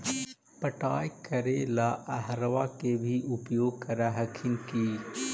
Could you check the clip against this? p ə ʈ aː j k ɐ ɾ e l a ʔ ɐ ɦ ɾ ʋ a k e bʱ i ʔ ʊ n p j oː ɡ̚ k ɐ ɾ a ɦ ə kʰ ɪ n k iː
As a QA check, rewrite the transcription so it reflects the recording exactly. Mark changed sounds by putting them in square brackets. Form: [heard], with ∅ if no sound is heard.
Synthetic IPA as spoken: p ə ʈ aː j k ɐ ɾ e l a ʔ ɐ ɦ ɾ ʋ a k e bʱ i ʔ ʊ [∅] p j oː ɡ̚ k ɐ ɾ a ɦ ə kʰ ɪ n k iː